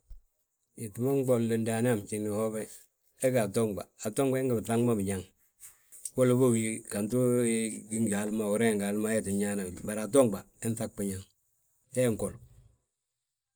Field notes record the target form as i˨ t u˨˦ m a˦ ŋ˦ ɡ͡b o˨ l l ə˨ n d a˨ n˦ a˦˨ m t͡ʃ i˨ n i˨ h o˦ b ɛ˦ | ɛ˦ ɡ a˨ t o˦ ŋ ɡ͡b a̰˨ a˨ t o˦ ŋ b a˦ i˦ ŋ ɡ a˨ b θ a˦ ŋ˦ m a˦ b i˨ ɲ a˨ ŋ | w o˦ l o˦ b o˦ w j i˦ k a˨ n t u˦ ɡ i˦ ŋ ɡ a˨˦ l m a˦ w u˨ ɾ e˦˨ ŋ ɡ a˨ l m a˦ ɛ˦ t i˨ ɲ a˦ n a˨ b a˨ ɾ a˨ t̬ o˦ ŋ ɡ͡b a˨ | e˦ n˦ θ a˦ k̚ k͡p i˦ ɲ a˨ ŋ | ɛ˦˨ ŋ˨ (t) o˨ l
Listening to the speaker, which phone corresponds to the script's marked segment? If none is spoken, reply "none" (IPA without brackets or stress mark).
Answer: k